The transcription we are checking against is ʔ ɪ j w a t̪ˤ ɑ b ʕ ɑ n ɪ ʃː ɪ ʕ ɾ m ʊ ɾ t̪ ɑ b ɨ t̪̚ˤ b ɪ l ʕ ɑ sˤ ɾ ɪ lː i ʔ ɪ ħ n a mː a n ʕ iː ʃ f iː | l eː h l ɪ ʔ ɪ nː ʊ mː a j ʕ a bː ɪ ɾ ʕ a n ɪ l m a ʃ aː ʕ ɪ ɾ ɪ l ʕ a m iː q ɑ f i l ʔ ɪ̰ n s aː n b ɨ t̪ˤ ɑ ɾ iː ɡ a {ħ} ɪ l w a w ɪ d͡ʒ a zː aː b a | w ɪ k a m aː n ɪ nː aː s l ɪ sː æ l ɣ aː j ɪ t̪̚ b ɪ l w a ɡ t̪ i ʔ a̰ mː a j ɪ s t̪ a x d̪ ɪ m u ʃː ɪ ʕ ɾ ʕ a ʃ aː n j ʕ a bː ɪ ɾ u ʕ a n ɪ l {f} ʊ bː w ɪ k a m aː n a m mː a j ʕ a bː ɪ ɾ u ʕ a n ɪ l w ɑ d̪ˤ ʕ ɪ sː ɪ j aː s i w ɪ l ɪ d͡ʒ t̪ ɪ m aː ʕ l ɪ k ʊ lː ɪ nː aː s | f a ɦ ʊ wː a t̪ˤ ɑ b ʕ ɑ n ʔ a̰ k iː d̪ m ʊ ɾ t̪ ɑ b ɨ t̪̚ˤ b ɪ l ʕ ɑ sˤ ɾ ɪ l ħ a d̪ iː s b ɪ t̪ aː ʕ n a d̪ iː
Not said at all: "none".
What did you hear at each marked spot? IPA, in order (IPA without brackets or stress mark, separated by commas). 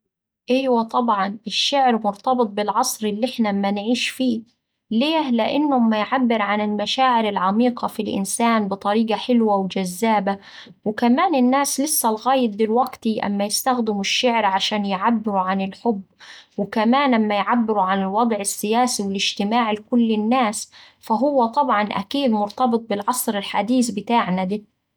ħ, ħ